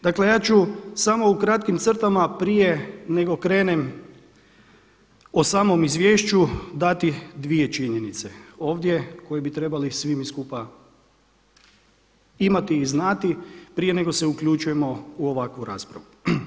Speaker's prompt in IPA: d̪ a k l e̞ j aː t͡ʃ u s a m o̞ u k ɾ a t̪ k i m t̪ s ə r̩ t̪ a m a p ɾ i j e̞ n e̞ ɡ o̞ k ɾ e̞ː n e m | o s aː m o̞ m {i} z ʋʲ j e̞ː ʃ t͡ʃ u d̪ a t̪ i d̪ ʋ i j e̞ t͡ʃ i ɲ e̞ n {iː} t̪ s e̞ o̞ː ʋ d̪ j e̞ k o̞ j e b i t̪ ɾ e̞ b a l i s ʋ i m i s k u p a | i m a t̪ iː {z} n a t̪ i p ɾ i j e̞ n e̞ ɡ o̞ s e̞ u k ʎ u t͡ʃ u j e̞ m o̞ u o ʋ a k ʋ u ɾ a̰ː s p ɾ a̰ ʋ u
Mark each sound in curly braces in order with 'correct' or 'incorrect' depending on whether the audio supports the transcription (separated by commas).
correct, incorrect, correct